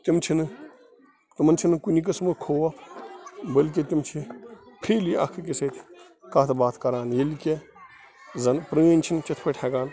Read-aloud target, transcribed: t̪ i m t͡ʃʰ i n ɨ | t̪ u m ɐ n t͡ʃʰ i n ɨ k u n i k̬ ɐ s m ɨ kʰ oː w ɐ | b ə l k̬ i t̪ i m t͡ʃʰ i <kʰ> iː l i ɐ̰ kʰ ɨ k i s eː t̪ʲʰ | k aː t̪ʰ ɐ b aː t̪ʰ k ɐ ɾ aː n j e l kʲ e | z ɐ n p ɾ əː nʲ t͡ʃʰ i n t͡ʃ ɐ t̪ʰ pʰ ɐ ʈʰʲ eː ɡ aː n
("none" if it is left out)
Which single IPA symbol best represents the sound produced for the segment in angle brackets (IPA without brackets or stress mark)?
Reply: pʰ